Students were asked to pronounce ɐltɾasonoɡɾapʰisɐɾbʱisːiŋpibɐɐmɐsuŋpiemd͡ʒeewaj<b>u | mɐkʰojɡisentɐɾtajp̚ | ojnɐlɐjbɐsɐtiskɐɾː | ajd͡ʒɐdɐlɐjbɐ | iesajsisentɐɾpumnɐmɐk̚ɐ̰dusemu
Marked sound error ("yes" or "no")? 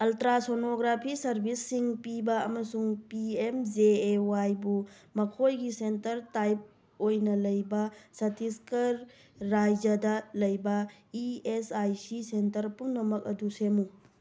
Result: no